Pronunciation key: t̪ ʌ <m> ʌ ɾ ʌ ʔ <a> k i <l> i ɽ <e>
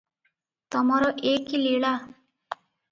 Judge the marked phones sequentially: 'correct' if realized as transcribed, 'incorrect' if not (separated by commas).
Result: correct, incorrect, correct, incorrect